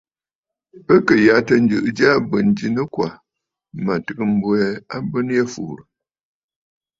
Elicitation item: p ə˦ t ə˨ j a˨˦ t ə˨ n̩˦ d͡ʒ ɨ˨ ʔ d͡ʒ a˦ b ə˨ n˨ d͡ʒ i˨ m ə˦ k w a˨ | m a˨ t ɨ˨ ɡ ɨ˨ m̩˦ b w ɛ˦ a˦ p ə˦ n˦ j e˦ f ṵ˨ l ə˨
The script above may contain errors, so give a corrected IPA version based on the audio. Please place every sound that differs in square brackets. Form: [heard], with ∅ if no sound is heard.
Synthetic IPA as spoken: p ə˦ [k] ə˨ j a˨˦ t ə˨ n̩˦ d͡ʒ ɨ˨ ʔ d͡ʒ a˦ b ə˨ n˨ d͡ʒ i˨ [n] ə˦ k w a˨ | m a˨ t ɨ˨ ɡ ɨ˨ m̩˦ b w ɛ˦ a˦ [b] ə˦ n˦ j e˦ f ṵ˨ [ɾ] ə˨